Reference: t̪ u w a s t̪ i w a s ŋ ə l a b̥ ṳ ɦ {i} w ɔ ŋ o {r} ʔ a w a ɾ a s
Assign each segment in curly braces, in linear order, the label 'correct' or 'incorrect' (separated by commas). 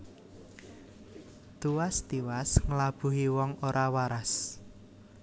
correct, incorrect